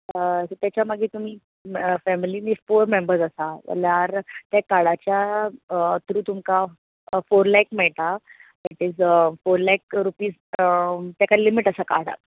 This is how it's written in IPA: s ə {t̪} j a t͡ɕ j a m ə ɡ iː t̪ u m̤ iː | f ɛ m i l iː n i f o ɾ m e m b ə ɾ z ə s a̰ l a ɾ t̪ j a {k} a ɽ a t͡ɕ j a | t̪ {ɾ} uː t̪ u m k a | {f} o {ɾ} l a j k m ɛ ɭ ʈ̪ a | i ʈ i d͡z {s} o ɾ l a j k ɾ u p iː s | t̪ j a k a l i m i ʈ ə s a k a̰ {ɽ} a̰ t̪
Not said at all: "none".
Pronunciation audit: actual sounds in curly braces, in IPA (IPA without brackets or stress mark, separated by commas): t̪, k, ɾ, f, ɾ, f, ɽ